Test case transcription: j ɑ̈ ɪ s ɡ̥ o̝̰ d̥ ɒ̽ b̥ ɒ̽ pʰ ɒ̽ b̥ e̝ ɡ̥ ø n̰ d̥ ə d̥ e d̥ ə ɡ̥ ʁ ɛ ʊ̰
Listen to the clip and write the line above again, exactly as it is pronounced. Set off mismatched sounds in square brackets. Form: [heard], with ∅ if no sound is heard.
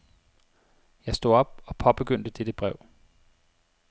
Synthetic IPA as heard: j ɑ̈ ɪ s [d̥] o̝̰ [∅] ɒ̽ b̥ ɒ̽ pʰ ɒ̽ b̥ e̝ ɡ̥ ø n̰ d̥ ə d̥ e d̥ ə [b̥] ʁ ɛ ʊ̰